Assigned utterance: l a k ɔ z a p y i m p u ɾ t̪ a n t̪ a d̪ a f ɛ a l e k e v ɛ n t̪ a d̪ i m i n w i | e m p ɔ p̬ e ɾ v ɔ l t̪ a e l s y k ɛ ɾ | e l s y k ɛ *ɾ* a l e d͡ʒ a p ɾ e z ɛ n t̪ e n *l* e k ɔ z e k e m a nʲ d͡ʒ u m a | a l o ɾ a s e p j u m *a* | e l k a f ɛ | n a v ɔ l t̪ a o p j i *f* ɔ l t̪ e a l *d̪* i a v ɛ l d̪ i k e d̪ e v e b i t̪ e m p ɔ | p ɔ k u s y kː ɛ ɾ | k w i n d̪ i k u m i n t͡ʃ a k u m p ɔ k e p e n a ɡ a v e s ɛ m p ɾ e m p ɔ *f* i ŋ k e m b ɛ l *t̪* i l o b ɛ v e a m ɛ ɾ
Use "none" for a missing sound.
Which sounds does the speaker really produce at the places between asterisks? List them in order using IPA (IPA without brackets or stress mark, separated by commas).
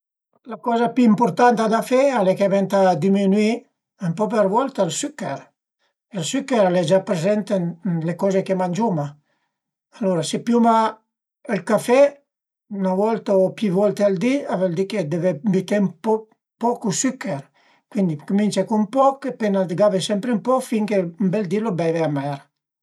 ɾ, l, a, v, d̪, f, d̪